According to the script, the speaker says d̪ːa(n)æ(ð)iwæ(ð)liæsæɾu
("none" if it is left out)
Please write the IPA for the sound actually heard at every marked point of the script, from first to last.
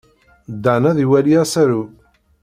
n, ð, none

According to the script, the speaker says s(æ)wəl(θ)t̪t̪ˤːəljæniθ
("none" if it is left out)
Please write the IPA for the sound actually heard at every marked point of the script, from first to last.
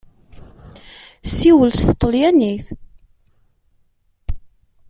i, s

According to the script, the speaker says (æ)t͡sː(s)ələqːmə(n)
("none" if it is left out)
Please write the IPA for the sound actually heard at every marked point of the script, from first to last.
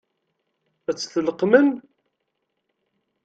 æ, θ, n

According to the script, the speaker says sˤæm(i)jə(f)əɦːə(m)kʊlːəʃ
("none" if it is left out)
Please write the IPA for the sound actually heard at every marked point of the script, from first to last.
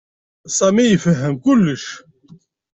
i, f, m

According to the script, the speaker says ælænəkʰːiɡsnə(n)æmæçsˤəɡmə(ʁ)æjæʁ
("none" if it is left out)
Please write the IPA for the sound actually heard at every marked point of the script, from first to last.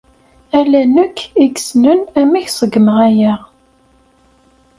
n, ʁ

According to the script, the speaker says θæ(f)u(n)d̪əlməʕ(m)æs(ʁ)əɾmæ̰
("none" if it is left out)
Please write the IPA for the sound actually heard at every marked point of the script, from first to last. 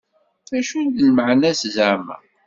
ʃ, n, n, z

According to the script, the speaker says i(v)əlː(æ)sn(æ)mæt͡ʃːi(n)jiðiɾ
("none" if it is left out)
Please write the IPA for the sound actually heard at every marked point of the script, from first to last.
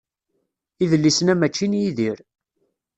ð, i, æ, n

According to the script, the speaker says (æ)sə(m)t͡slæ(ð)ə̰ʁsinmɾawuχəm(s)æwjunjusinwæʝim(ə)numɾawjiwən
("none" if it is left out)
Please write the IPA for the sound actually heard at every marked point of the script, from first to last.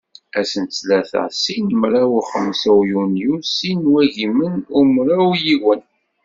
æ, n, θ, s, ə

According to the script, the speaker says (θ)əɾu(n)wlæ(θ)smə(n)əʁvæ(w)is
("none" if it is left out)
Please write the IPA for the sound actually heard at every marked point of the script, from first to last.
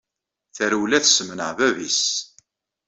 θ, none, θ, n, v

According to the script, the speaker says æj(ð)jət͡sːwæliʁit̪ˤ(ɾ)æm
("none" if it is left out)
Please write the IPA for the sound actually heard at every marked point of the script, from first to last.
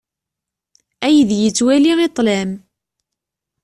ð, l

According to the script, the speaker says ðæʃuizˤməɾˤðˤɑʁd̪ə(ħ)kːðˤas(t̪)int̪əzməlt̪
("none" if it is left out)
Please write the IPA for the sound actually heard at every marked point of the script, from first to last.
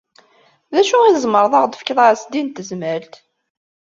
f, d̪

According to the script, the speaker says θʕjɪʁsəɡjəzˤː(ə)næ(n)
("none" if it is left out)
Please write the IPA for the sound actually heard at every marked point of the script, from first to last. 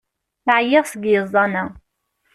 ɑ, none

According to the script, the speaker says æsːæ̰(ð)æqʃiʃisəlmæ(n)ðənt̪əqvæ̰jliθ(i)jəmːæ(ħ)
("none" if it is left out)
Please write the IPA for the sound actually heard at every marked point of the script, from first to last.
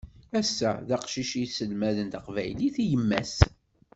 ð, none, i, s

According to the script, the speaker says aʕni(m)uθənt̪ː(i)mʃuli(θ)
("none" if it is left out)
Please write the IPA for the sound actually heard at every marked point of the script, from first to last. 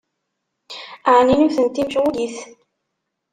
n, i, θ

